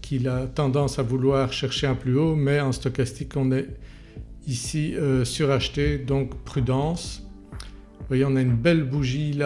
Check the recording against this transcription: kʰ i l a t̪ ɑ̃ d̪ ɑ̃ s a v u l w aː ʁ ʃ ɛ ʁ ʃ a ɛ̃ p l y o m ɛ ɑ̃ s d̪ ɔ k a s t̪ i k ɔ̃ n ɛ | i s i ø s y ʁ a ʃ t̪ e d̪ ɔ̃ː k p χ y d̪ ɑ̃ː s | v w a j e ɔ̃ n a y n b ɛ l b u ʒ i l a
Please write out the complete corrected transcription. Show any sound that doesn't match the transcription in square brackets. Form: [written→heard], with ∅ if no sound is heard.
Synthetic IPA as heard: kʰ i l a t̪ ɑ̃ d̪ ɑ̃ s a v u l w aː ʁ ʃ ɛ ʁ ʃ [a→e] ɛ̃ p l y o m ɛ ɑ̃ s [d̪→t̪] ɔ k a s t̪ i k ɔ̃ n ɛ | i s i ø s y ʁ a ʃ t̪ e d̪ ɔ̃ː k p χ y d̪ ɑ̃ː s | v w a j e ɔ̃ n a y n b ɛ l b u ʒ i l a